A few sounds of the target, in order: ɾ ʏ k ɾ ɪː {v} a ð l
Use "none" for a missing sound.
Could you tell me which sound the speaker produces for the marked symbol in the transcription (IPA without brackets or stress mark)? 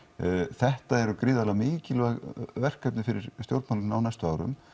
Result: ð